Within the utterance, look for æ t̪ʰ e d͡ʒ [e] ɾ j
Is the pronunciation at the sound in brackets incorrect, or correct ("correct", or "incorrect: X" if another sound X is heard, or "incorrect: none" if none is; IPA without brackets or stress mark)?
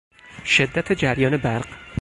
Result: incorrect: æ